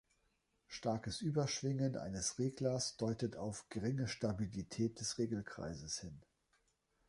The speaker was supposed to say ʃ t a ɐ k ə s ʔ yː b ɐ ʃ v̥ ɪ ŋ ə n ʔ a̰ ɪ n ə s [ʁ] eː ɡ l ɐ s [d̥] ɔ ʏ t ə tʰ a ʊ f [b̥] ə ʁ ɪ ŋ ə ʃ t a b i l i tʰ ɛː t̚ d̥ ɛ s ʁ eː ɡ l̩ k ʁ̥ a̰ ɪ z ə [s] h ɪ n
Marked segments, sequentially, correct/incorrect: correct, correct, incorrect, correct

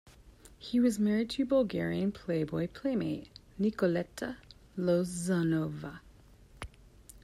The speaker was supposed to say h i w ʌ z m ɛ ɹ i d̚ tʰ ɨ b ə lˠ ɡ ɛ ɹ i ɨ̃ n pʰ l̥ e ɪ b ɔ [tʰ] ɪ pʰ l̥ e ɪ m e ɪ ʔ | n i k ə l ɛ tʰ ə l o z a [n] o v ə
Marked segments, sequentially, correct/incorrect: incorrect, correct

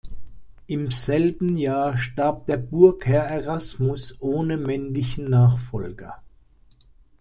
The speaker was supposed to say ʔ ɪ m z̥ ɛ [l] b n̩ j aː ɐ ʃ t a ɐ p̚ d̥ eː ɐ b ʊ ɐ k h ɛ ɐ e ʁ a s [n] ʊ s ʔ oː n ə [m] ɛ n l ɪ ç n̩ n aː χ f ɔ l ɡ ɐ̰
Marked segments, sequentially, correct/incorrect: correct, incorrect, correct

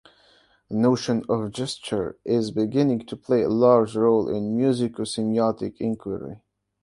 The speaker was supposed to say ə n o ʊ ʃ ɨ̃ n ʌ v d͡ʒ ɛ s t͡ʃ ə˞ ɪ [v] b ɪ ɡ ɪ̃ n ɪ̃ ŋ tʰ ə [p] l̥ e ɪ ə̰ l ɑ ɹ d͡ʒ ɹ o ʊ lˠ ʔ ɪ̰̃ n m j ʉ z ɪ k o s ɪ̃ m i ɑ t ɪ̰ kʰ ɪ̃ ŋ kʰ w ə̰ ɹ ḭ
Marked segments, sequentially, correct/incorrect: incorrect, incorrect

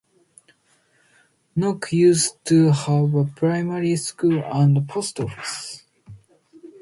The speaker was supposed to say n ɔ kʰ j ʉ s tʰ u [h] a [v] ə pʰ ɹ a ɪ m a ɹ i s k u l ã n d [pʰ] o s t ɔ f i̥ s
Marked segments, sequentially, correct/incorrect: correct, correct, correct

